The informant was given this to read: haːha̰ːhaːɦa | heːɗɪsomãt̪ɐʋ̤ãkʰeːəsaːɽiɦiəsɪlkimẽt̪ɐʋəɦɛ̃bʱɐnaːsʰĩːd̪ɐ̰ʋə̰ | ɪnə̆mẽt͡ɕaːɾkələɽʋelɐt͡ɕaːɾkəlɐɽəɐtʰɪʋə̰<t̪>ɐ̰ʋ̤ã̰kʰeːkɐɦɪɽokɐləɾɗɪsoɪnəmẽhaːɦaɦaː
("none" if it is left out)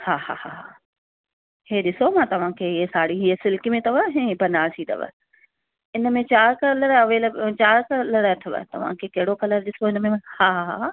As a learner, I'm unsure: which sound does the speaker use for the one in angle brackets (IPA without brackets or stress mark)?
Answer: t̪